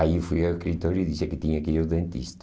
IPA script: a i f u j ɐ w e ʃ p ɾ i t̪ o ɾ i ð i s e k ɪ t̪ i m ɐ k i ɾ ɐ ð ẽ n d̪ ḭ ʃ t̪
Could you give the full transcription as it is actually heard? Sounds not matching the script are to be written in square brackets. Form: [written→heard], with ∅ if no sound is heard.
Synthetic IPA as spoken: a i f u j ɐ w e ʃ [p→k] ɾ i t̪ o ɾ i ð i s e k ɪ t̪ i [m→ɲ] ɐ k i ɾ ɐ ð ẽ n [d̪→t̪] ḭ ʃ t̪